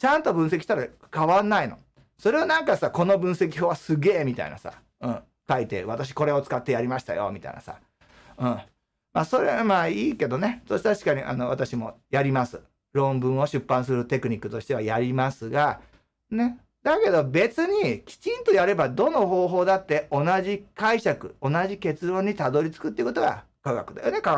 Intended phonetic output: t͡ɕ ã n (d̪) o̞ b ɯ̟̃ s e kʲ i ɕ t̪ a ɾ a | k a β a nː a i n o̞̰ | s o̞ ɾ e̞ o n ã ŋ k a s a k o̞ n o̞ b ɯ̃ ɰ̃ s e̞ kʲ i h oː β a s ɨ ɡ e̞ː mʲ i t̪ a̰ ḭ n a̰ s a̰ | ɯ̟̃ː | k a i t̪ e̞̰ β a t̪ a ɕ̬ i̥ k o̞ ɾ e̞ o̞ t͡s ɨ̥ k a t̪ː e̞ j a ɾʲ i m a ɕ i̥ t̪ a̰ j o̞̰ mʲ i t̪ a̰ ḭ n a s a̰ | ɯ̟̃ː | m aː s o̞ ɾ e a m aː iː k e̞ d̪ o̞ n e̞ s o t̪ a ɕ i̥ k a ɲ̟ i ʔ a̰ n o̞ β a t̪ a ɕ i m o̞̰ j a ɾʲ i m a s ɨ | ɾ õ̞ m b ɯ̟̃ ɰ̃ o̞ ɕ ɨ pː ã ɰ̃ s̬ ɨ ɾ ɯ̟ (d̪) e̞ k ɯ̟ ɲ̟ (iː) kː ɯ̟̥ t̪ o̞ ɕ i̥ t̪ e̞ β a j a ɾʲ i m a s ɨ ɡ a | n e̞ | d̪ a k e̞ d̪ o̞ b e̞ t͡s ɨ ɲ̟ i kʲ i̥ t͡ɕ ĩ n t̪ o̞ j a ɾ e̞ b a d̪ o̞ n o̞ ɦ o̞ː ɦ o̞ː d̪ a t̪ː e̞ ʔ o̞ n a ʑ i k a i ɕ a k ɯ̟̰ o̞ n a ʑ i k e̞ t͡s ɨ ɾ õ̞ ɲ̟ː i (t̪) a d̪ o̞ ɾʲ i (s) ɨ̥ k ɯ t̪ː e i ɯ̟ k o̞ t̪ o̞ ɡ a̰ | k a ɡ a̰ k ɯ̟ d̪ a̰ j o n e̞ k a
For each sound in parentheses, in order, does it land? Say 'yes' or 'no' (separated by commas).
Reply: no, no, no, yes, no